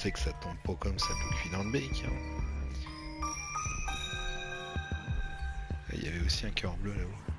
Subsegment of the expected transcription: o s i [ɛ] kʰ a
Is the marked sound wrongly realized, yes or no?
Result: yes